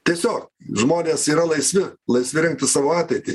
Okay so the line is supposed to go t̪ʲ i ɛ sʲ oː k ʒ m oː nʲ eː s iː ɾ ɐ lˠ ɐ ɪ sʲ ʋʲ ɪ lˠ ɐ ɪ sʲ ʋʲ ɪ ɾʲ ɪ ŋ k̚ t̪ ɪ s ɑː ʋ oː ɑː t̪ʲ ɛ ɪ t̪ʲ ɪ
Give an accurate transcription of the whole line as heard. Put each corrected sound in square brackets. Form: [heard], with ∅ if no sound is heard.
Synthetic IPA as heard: t̪ʲ i ɛ sʲ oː k ʒ m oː nʲ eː s iː ɾ ɐ lˠ ɐ ɪ sʲ ʋʲ ɪ lˠ ɐ ɪ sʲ ʋʲ ɪ ɾʲ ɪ ŋ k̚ t̪ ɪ s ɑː ʋ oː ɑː t̪ʲ ɛ ɪ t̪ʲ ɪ